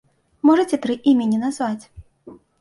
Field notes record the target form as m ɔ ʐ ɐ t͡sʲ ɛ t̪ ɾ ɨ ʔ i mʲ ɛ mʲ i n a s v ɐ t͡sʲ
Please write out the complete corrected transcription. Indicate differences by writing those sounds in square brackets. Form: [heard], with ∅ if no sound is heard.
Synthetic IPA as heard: m ɔ ʐ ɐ t͡sʲ ɛ t̪ ɾ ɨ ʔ i mʲ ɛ [nʲ] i n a [z] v [a] t͡sʲ